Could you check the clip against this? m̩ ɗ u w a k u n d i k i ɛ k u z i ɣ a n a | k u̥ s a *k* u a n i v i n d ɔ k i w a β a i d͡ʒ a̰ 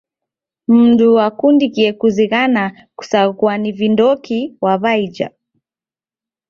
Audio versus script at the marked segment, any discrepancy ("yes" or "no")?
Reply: no